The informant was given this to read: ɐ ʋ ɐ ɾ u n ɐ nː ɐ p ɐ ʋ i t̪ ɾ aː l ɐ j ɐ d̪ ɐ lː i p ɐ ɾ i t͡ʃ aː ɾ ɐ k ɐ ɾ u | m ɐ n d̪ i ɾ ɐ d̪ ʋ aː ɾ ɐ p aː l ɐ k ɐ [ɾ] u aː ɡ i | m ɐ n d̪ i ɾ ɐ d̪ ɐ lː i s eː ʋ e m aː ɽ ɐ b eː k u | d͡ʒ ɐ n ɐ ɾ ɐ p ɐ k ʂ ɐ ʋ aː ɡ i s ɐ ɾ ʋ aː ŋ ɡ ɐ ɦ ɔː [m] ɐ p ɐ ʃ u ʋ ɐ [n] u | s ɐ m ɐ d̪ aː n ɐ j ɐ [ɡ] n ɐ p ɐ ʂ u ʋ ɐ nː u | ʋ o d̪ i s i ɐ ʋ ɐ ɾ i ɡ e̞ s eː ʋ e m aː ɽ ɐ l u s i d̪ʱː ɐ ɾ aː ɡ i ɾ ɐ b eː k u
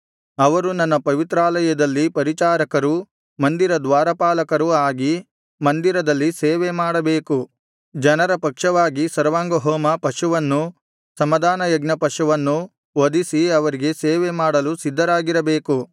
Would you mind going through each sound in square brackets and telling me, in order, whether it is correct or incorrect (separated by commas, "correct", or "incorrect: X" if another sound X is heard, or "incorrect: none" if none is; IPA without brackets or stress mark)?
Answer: correct, correct, incorrect: nː, correct